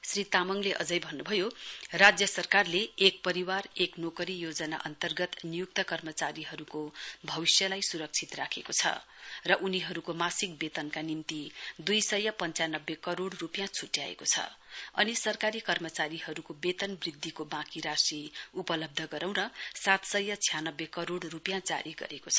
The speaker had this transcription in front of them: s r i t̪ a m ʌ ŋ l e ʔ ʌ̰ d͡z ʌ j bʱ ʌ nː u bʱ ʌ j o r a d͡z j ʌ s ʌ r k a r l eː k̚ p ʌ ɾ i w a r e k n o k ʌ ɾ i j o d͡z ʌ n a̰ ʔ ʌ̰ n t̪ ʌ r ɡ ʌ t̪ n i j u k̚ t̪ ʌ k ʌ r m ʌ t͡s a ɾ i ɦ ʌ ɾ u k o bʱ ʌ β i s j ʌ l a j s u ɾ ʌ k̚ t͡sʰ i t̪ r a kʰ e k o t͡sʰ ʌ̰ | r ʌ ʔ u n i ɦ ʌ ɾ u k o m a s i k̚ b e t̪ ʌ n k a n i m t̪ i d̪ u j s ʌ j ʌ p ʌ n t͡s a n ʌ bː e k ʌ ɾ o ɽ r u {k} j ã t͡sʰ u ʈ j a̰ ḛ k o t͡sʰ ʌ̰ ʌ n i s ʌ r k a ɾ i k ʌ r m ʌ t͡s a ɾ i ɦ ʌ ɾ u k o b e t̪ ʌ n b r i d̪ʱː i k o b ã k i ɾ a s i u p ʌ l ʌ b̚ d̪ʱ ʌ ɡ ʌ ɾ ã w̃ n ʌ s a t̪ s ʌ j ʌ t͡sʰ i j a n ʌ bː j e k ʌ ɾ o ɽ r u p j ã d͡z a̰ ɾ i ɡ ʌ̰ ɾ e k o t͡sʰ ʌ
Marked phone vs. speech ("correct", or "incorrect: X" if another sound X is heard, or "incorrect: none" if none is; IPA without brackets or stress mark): incorrect: p